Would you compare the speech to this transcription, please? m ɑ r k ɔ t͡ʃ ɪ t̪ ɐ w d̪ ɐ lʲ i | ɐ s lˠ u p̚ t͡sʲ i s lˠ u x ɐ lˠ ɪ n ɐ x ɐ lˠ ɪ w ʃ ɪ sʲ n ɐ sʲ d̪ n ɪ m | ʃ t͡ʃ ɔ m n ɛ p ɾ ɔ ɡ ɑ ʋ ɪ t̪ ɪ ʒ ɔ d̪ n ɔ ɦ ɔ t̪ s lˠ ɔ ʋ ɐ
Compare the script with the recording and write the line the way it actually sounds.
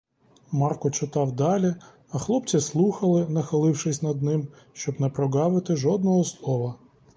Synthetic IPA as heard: m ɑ r k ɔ t͡ʃ ɪ t̪ ɑ w d̪ ɑ lʲ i | ɐ x lˠ ɔ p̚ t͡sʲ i s lˠ u x ɐ lˠ ɪ n ɐ x ɐ lˠ ɪ w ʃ ɪ sʲ n ɐ d̪ n ɪ m | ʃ t͡ʃ ɔ b n ɛ p ɾ ɔ ɡ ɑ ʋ ɪ t̪ ɪ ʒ ɔ d̪ n ɔ ɦ ɔ s lˠ ɔ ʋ ɐ